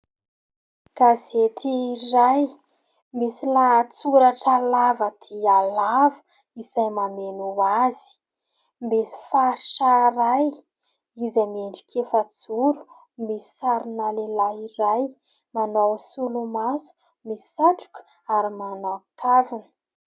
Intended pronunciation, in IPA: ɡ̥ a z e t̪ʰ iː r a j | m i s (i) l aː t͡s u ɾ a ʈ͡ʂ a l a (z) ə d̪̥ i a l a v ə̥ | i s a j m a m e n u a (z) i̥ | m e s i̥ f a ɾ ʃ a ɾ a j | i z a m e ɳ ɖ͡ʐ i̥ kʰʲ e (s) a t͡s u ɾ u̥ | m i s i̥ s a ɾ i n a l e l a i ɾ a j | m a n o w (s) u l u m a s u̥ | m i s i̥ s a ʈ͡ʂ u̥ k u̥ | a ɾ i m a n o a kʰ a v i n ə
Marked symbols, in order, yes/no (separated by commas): yes, no, yes, no, yes